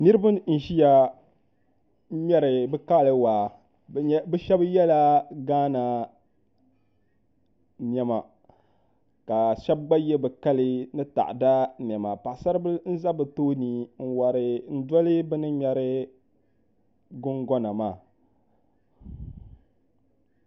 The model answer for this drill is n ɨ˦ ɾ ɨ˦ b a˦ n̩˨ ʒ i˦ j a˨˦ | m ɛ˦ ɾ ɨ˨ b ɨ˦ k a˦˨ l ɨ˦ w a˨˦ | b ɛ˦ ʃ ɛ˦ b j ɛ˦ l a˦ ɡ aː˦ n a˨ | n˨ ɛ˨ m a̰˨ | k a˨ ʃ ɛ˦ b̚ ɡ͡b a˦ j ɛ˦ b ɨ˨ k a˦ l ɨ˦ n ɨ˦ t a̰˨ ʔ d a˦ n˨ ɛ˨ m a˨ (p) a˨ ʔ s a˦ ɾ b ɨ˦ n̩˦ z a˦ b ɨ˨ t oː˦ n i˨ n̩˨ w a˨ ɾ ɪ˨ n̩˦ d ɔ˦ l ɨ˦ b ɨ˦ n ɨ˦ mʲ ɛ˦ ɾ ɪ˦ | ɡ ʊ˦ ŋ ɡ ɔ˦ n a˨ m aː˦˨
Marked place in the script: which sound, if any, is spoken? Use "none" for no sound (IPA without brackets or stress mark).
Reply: p